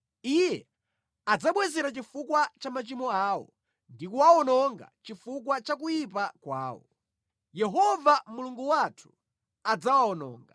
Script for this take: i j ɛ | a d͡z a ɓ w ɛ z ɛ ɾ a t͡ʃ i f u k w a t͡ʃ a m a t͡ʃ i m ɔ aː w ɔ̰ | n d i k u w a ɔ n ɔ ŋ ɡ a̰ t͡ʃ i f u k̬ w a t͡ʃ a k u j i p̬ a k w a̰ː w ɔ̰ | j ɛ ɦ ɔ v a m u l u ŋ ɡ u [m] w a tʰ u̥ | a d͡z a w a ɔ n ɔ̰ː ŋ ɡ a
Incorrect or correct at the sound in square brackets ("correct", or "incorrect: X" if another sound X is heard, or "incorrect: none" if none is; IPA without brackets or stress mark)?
incorrect: none